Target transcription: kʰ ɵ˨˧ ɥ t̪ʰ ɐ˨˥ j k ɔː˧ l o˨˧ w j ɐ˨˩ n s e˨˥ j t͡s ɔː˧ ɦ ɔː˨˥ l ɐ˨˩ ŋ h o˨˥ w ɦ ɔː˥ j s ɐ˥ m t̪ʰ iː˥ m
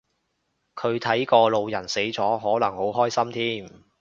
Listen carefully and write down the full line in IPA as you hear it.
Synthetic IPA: kʰ ɵ˨˧ ɥ t̪ʰ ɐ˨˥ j k ɔː˧ l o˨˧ w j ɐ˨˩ n s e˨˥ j t͡s ɔː˨˥ ɦ ɔː˨˥ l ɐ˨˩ ŋ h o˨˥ w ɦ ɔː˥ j s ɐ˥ m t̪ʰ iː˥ m